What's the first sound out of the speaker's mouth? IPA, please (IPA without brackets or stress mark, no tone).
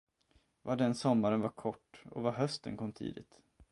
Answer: v